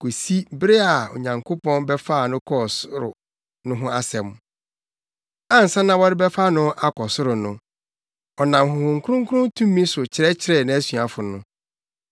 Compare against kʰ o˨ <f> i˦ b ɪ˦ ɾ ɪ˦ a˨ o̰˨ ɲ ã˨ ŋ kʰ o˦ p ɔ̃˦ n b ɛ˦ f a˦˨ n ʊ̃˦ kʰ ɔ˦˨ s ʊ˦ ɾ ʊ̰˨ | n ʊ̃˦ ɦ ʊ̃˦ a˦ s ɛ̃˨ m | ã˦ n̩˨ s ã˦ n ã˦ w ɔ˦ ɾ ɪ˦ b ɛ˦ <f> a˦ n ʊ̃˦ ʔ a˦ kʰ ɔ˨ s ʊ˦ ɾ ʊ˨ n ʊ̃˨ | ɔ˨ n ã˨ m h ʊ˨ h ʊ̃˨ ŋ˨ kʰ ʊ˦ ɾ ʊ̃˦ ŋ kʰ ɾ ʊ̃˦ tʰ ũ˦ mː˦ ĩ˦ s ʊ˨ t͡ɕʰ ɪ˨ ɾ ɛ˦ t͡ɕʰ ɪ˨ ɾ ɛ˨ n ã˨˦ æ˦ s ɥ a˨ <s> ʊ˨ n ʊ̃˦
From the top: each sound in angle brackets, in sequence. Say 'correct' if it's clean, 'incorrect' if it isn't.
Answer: incorrect: s, correct, incorrect: f

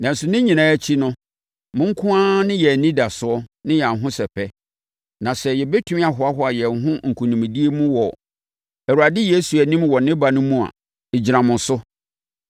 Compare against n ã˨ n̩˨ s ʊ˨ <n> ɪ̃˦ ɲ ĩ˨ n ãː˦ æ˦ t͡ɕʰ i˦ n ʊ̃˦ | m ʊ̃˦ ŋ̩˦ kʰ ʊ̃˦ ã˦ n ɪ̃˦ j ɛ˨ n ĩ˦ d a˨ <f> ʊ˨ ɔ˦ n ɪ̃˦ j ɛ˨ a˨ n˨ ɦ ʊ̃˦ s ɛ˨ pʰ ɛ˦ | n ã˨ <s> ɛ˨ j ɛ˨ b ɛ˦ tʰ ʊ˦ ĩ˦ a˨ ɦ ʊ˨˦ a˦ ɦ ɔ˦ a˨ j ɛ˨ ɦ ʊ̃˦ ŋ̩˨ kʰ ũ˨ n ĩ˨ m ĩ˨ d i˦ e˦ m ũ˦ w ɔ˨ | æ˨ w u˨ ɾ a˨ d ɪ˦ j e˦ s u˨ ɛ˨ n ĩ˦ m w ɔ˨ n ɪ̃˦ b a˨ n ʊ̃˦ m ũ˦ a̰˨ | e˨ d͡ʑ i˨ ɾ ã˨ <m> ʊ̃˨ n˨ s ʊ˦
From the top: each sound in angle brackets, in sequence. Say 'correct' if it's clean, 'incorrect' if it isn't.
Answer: correct, incorrect: s, correct, correct

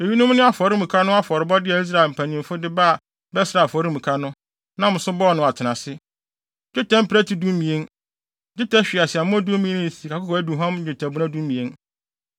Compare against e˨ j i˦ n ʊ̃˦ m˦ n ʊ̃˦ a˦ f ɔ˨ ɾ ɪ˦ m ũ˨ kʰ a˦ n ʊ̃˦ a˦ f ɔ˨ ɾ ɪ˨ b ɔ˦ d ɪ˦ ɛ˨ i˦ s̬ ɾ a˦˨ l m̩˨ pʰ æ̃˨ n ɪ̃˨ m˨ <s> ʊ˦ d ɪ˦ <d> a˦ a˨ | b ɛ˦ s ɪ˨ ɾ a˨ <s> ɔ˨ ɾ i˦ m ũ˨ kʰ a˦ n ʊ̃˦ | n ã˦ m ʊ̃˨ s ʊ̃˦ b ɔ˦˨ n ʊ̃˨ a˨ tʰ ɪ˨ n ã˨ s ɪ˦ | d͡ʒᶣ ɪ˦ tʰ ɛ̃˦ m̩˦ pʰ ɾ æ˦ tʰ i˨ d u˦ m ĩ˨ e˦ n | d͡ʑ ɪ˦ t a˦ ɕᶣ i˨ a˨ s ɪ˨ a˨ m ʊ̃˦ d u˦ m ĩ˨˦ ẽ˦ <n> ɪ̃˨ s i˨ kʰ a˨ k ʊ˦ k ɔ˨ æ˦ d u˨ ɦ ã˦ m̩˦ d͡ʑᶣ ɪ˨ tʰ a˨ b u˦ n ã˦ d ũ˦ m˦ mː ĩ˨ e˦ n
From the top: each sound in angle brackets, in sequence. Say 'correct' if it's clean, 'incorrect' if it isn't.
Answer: incorrect: f, incorrect: b, incorrect: f, correct

